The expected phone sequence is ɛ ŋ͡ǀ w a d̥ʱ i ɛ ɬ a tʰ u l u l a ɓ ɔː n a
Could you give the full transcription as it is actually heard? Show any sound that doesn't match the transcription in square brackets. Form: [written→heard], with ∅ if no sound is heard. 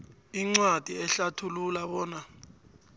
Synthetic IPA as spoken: [ɛ→i] ŋ͡ǀ w a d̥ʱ i ɛ ɬ a tʰ u l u l a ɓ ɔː n a